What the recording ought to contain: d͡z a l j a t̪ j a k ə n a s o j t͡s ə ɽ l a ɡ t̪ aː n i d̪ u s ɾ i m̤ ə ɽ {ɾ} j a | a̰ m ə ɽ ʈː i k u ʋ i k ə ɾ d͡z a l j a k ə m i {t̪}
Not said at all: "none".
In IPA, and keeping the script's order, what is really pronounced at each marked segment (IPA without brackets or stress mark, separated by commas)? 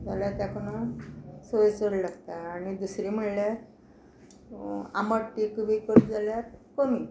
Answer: l, none